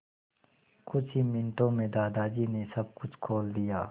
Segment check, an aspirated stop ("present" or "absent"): present